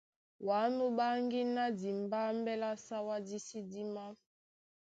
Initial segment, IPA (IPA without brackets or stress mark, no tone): w